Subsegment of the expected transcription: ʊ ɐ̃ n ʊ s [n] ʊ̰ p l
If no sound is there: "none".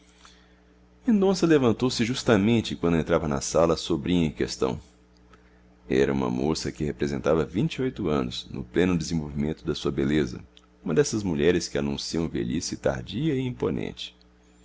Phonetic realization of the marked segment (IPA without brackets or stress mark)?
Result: n